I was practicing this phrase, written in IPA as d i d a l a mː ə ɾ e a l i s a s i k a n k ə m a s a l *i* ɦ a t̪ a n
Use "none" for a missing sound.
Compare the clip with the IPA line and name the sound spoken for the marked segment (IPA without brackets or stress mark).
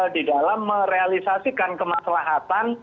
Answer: a